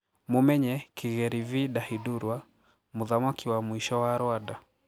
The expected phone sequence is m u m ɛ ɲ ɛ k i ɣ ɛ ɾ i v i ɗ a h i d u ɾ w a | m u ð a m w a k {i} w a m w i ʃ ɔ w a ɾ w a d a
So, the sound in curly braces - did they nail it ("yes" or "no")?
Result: yes